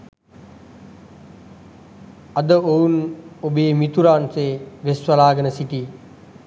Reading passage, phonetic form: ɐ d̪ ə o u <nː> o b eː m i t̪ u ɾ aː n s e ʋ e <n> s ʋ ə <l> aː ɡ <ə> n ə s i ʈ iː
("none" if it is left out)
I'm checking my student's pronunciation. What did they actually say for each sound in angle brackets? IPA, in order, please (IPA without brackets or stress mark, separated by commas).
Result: n, none, l, ə